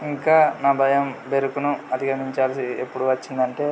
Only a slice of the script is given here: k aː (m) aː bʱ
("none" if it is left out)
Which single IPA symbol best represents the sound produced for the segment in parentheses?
n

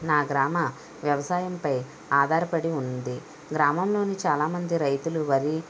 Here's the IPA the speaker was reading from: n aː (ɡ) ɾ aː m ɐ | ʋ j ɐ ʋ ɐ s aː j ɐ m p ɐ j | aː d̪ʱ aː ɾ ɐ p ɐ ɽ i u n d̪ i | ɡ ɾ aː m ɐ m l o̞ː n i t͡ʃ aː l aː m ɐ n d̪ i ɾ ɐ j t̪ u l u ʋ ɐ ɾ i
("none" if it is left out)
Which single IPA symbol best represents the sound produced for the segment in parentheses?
ɡ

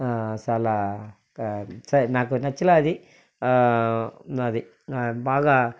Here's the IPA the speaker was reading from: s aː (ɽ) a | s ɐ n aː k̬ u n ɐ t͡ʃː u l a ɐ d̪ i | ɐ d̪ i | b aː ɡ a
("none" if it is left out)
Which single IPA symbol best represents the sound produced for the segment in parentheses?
l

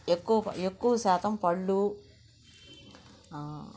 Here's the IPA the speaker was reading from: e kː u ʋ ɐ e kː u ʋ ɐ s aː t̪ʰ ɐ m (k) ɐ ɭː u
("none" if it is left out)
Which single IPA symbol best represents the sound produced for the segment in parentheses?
p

